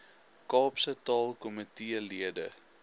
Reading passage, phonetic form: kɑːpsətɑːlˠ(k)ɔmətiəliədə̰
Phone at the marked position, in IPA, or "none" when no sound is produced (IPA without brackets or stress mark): k